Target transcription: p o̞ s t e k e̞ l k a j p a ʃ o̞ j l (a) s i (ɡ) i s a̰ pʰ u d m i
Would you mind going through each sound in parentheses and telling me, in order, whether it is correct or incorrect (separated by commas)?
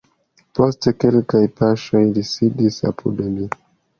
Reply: incorrect, incorrect